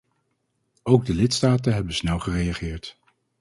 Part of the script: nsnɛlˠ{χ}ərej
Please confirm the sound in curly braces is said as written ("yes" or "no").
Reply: yes